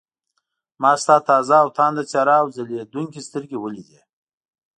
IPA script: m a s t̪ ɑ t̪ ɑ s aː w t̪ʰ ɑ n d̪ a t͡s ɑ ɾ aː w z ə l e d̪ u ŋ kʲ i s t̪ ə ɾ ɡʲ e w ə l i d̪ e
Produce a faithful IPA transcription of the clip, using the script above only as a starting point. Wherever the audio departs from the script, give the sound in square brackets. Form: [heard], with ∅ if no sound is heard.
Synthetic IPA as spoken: m [ɑ] s t̪ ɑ t̪ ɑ [z] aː w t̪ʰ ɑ n d̪ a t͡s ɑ ɾ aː w z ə l e d̪ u ŋ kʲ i s t̪ ə ɾ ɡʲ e w ə l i d̪ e